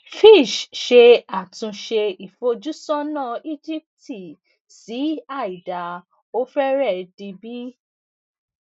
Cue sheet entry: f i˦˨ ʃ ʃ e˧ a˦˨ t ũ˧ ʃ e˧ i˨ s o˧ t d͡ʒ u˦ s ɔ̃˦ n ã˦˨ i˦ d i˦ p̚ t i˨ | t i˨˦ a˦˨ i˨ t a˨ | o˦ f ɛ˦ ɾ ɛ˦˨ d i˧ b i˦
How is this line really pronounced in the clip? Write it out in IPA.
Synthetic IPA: f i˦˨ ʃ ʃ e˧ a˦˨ t ũ˧ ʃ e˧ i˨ f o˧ d͡ʒ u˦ s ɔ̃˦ n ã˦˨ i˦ d͡ʒ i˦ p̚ t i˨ | s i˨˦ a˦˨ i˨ d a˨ | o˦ f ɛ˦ ɾ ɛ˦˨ d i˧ b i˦